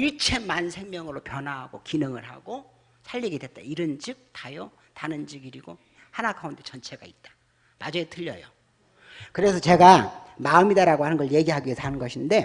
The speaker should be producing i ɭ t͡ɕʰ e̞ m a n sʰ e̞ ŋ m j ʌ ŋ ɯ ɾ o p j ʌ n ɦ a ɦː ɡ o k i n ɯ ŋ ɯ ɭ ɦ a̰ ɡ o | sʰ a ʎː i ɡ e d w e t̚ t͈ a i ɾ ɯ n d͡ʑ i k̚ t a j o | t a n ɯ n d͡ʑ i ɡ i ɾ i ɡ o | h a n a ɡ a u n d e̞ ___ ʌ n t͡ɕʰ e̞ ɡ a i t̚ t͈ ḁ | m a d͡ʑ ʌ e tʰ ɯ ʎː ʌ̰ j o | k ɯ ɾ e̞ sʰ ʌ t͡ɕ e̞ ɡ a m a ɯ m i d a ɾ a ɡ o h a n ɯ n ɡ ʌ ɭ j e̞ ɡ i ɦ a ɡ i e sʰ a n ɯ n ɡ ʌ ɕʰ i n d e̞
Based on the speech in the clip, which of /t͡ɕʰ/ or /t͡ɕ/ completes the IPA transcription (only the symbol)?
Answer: t͡ɕ